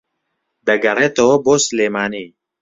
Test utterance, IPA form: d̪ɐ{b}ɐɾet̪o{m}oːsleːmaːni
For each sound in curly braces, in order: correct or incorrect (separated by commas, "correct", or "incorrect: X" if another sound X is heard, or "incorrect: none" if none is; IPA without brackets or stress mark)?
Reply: incorrect: ɡ, incorrect: b